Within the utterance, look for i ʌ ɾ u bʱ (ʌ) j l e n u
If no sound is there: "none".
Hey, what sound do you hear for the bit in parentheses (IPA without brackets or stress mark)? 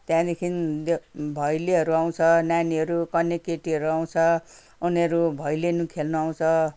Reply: ʌ